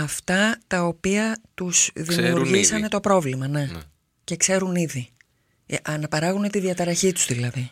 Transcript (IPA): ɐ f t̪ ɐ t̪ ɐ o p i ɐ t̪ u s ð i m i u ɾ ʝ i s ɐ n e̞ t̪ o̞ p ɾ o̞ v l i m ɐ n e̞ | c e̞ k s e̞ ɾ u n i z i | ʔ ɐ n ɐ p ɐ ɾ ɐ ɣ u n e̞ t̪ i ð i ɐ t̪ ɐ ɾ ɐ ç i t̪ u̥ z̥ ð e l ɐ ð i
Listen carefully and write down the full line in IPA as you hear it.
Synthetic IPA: ɐ f t̪ ɐ t̪ ɐ o p i ɐ t̪ u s ð i m i u ɾ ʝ i s ɐ n e̞ t̪ o̞ p ɾ o̞ v l i m ɐ n e̞ | c e̞ k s e̞ ɾ u n i ð i | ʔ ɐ n ɐ p ɐ ɾ ɐ ɣ u n e̞ t̪ i ð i ɐ t̪ ɐ ɾ ɐ ç i t̪ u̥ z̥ ð i l ɐ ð i